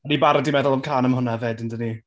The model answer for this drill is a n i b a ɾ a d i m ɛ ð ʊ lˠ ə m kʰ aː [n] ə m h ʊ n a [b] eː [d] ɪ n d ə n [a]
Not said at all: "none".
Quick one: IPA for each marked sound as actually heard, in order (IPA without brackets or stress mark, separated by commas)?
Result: n, v, d, i